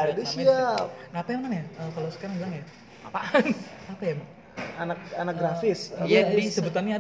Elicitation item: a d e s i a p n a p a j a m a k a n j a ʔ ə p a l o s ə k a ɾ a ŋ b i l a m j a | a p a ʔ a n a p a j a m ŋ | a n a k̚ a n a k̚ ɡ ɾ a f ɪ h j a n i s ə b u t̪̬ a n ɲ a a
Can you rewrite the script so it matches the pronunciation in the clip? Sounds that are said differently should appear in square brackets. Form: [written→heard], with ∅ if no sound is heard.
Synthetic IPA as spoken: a d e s i a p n a p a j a m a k a n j a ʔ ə [p→k] a l o s ə k a ɾ a ŋ b i l a [m→ŋ] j a | a p a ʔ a n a p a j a m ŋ | a n a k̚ a n a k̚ ɡ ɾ a f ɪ [h→s] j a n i s ə b u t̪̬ a n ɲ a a